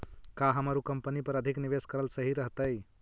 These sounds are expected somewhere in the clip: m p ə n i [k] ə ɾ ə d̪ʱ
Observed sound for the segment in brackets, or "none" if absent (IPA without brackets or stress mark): p